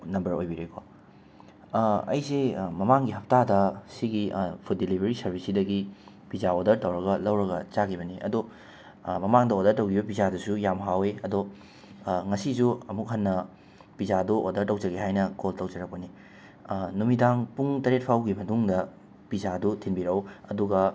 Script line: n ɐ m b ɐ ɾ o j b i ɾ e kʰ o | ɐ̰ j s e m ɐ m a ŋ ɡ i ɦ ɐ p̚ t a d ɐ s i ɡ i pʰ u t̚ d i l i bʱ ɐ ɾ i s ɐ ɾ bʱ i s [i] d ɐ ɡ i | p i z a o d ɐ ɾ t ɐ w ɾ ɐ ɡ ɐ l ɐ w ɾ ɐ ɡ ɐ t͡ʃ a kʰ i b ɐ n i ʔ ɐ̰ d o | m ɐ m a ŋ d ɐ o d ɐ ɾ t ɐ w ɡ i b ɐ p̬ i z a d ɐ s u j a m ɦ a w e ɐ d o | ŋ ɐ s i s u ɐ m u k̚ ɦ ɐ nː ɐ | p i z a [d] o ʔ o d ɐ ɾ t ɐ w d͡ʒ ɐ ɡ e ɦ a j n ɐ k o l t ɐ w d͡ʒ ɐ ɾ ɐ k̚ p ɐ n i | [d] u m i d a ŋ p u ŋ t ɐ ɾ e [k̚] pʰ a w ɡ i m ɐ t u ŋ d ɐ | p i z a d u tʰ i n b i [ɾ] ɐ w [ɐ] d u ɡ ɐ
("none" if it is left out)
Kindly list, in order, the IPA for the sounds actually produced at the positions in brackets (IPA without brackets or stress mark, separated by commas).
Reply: i, d, n, t̚, ɾ, ɐ